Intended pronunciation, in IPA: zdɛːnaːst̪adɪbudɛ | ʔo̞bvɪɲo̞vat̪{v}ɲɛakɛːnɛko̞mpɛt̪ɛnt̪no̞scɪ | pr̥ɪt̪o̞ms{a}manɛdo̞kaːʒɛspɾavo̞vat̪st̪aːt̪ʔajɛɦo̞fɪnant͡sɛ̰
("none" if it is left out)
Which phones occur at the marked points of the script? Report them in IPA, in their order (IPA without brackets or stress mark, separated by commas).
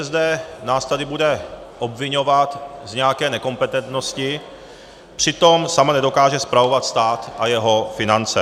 z, a